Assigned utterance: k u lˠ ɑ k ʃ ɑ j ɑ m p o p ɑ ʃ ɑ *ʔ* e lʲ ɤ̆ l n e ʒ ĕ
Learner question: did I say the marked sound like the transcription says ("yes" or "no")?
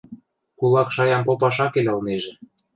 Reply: no